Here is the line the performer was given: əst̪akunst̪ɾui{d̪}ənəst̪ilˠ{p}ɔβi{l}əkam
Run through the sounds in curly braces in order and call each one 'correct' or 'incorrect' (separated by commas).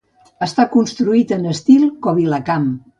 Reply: incorrect, incorrect, correct